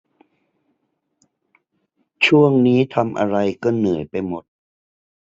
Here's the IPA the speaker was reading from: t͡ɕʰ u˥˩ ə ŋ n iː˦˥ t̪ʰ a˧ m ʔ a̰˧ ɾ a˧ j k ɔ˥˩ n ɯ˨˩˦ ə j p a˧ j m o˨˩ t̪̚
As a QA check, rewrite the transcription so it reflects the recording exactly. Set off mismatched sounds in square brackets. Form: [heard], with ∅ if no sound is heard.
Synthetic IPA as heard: t͡ɕʰ u˥˩ ə ŋ n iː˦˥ t̪ʰ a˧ m ʔ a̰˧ ɾ a˧ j k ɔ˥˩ n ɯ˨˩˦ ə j p a˧ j m o˨˩ t̪̚